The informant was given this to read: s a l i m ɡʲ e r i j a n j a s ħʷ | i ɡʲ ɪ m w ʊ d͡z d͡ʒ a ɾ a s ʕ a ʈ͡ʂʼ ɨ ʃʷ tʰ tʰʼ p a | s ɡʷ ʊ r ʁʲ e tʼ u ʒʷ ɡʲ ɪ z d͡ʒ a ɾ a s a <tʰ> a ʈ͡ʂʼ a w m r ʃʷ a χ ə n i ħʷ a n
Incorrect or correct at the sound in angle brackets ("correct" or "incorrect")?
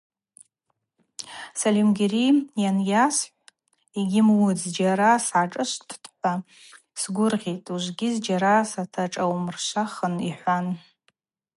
correct